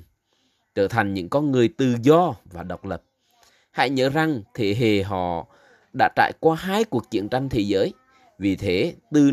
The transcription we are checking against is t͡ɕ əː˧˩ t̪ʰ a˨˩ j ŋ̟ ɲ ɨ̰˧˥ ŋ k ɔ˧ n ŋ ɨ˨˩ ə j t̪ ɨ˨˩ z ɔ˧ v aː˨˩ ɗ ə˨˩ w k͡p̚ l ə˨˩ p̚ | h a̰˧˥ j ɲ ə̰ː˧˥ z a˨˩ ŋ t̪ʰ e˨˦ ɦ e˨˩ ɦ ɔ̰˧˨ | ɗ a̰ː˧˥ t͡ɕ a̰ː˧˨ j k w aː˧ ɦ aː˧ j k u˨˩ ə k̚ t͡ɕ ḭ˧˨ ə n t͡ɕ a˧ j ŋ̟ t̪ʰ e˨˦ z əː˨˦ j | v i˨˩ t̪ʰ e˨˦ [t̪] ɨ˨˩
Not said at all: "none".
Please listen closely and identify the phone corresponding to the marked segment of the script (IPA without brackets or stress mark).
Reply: t̪